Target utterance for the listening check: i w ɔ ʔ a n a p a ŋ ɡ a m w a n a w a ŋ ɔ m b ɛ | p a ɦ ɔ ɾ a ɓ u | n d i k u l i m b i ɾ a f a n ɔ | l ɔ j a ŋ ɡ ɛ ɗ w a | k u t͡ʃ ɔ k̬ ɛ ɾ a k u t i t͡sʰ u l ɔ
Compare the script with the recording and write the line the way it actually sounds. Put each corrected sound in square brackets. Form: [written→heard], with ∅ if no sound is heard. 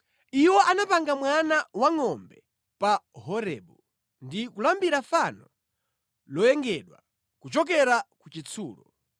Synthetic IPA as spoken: i w ɔ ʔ a n a p a ŋ ɡ a m w a n a w a ŋ ɔ m b ɛ | p a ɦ ɔ ɾ [a→ɛ] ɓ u | n d i k u l [i→a] m b i ɾ a f a n ɔ | l ɔ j [a→ɛ] ŋ ɡ ɛ ɗ w a | k u t͡ʃ ɔ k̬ ɛ ɾ a k u [t→t͡ʃ] i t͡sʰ [u→uː] l ɔ